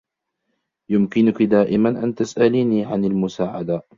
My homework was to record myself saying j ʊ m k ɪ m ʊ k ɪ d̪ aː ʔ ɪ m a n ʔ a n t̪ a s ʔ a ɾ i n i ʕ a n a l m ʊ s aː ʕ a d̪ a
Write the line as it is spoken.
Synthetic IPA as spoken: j ʊ m k ɪ n ʊ k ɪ d̪ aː ʔ ɪ m a n ʔ a n t̪ a s ʔ a l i n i ʕ a n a l m ʊ s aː ʕ a d̪ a